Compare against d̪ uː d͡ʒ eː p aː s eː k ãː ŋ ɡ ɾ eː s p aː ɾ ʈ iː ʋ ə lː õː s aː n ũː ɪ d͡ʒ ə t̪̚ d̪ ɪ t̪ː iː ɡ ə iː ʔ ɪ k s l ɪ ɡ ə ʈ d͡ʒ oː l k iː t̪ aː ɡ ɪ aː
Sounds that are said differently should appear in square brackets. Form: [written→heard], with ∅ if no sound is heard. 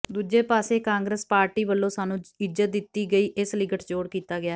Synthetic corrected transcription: d̪ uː d͡ʒ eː p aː s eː k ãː ŋ ɡ ɾ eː s p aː ɾ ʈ iː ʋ ə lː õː s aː n ũː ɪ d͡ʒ ə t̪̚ d̪ ɪ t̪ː iː ɡ ə iː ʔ ɪ [k→∅] s l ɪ ɡ ə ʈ d͡ʒ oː [l→ɽ] k iː t̪ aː ɡ ɪ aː